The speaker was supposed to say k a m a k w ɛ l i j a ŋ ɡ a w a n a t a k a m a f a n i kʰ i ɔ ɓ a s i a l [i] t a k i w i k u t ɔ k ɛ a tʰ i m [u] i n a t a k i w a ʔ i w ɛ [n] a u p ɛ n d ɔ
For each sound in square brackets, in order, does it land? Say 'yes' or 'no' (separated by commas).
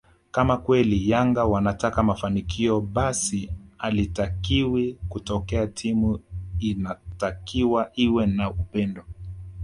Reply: yes, yes, yes